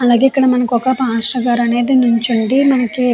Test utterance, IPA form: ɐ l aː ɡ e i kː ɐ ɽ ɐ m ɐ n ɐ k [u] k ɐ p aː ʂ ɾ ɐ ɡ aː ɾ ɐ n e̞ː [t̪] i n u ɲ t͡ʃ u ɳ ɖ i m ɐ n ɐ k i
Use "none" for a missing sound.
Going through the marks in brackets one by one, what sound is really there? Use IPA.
ɔ, d̪

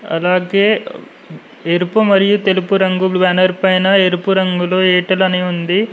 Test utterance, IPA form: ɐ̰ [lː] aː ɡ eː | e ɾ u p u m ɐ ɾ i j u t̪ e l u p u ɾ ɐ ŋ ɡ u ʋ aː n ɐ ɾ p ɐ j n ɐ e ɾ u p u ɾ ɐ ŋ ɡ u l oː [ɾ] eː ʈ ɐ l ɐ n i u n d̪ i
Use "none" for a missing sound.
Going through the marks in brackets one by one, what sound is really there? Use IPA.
l, none

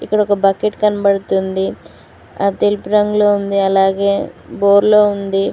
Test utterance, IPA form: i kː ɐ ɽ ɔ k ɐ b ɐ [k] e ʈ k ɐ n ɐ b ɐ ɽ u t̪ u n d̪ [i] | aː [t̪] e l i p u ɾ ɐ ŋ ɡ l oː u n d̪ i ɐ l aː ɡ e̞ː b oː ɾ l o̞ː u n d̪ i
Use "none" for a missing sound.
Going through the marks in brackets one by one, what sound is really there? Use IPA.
k, i, t̪

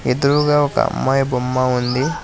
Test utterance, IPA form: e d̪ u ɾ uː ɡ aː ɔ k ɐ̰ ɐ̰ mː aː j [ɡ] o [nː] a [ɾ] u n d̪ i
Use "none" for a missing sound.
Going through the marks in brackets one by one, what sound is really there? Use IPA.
b, mː, none

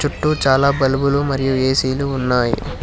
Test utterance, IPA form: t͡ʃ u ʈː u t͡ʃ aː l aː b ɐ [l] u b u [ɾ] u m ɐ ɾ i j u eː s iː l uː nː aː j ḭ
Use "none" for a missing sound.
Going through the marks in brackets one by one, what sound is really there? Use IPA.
l, l

